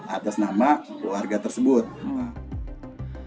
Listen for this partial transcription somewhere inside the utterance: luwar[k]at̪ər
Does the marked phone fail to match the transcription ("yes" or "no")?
yes